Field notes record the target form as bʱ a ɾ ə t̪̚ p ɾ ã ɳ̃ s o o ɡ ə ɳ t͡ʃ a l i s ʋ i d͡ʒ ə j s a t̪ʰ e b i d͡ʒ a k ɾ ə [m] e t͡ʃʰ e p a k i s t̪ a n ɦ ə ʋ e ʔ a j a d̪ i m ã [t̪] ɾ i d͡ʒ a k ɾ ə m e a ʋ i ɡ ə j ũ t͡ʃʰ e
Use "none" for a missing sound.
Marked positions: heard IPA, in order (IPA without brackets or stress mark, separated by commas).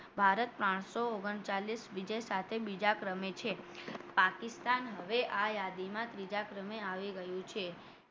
m, t̪